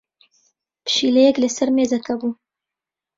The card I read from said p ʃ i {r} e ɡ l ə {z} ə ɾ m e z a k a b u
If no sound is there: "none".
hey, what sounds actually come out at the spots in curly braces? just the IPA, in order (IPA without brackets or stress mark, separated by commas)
l, s